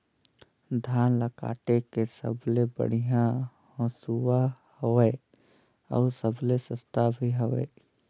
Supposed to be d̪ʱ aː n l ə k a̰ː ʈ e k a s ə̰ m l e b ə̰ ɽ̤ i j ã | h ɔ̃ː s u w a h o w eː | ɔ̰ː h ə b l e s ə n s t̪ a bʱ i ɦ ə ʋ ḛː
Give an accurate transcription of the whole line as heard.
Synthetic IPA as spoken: d̪ʱ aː n l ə k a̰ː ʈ e k e s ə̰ b l e b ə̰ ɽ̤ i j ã | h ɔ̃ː s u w a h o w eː | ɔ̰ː s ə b l e s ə s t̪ a bʱ i ɦ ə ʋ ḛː